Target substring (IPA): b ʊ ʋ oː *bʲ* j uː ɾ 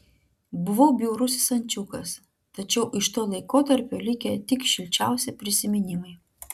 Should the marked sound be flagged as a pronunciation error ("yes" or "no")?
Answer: no